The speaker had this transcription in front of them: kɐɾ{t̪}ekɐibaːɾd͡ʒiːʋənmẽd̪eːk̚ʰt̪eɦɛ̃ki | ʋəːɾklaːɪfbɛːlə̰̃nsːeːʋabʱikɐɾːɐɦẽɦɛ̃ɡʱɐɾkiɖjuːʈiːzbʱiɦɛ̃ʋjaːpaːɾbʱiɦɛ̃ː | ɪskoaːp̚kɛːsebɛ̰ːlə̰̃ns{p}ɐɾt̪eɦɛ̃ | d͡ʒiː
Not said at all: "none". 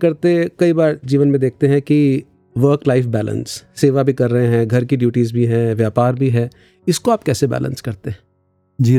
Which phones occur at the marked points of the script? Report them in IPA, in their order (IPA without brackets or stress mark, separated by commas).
t̪, k